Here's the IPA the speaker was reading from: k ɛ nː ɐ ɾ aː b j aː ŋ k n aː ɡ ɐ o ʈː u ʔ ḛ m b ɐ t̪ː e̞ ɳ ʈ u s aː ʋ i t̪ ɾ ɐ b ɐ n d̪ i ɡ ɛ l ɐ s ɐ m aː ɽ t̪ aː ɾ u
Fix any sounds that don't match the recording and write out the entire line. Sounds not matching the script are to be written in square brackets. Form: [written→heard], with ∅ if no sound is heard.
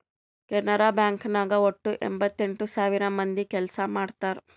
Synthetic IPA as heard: k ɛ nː ɐ ɾ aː b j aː ŋ k n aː ɡ ɐ o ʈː u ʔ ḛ m b ɐ t̪ː e̞ ɳ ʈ u s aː ʋ i [t̪→∅] ɾ ɐ [b→m] ɐ n d̪ i [ɡ→k] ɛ l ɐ s ɐ m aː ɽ t̪ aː ɾ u